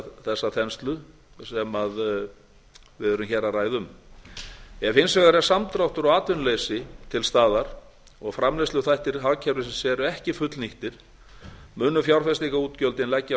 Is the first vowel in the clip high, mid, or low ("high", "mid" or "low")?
mid